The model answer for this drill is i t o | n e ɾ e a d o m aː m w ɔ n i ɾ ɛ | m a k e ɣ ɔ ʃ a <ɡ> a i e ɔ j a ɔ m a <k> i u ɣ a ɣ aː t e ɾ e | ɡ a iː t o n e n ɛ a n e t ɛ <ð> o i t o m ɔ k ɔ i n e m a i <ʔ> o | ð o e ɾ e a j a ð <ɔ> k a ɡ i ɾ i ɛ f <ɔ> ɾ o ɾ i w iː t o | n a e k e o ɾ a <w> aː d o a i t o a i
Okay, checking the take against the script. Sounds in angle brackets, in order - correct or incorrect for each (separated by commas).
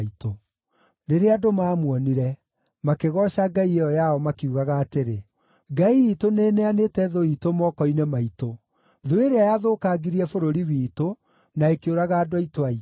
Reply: correct, correct, correct, incorrect, incorrect, incorrect, incorrect